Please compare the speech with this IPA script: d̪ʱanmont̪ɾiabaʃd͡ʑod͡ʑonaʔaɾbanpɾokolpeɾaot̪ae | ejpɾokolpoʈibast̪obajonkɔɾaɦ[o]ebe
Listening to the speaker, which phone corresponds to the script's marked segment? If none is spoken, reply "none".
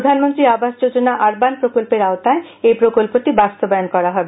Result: ɔ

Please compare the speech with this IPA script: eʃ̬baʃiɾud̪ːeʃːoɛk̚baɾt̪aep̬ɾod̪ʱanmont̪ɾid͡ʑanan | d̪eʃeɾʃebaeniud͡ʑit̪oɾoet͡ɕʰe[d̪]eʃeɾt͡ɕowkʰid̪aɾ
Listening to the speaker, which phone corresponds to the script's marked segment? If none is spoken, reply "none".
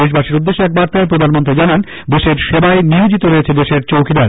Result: d̪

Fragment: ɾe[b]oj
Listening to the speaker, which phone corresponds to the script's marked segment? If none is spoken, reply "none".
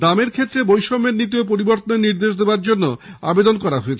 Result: b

